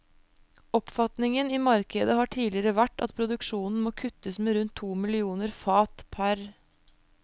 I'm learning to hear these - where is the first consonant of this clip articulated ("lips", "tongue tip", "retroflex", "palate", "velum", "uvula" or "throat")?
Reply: lips